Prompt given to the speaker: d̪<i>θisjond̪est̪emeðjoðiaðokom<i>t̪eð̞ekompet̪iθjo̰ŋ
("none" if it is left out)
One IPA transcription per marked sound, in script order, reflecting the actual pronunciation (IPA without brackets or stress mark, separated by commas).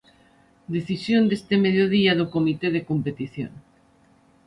e, i